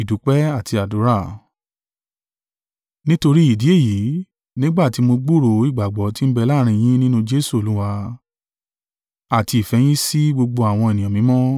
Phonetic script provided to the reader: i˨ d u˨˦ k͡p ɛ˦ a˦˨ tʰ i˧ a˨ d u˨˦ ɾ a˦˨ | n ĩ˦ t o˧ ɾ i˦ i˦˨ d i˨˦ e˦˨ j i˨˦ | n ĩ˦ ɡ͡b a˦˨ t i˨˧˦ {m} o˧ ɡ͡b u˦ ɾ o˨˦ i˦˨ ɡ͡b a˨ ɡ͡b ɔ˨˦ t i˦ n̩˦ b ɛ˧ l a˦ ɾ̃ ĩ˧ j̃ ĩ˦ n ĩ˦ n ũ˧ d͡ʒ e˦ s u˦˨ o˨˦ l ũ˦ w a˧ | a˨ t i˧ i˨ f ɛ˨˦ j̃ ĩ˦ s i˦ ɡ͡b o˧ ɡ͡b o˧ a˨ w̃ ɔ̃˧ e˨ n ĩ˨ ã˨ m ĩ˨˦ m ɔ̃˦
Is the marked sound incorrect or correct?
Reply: correct